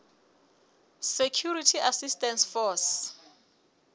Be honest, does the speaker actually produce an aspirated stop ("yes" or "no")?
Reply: yes